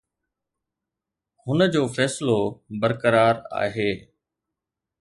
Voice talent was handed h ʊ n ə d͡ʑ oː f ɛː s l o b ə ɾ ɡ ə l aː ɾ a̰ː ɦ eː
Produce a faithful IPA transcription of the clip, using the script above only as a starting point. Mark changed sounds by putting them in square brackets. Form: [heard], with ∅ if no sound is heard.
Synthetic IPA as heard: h ʊ n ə d͡ʑ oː f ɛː s l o b ə ɾ [k] ə [ɾ] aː ɾ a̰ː ɦ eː